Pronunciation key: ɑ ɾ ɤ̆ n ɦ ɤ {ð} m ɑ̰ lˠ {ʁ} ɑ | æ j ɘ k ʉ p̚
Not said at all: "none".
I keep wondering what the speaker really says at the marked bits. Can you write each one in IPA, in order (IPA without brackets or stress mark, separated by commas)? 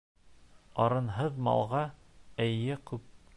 ð, ʁ